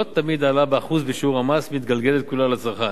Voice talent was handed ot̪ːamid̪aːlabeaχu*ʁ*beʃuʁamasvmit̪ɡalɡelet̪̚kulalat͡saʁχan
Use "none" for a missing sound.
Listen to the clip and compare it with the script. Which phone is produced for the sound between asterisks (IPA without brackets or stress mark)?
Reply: z